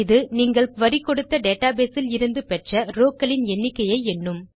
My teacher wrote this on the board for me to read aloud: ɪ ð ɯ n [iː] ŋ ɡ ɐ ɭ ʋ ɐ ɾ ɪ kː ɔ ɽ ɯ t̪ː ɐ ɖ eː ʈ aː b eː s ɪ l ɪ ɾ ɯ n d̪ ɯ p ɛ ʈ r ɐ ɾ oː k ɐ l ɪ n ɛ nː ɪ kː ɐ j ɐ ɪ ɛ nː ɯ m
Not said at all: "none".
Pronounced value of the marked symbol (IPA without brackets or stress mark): iː